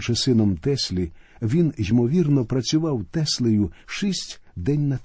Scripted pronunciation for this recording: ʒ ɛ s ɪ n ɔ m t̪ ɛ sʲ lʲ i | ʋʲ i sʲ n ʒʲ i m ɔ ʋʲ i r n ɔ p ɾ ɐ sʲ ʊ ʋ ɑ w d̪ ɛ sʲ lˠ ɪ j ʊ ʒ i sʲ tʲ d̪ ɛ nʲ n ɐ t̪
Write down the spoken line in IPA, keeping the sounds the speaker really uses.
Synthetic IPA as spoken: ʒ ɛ s ɪ n ɔ m t̪ ɛ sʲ lʲ i | ʋʲ i n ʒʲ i m ɔ ʋʲ i r n ɔ p ɾ ɐ t͡sʲ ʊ ʋ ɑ w t̪ ɛ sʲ lˠ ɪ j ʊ ʃ i sʲ tʲ d̪ ɛ nʲ n ɐ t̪